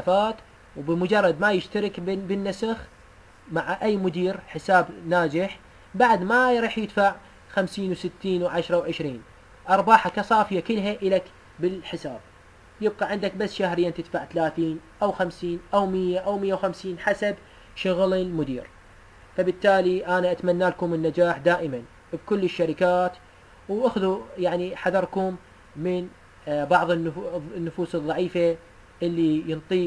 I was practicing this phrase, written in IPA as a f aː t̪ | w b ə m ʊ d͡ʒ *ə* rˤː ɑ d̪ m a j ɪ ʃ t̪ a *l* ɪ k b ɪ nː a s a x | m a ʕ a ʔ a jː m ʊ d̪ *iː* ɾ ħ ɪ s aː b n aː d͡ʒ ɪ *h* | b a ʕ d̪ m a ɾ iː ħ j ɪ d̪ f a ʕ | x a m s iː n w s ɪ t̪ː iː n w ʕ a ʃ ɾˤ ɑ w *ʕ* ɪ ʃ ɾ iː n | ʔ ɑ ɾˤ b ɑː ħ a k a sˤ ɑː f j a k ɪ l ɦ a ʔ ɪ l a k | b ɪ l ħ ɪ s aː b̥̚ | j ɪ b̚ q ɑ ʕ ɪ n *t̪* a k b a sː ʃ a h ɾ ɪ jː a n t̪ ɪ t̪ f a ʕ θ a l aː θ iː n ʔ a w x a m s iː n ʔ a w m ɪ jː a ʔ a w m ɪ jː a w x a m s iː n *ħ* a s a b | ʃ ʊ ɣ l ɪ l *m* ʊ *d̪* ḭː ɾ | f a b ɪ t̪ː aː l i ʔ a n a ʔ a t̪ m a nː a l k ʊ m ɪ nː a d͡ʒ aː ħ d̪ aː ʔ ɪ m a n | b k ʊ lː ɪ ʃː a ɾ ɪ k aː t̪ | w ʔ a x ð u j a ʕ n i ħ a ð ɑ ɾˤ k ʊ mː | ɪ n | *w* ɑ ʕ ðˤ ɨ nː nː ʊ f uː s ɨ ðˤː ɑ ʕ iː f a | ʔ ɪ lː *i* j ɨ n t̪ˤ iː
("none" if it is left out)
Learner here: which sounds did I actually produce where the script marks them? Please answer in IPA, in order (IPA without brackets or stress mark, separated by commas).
ɑ, ɾ, iː, ħ, ʕ, d̪, ħ, m, d̪, b, i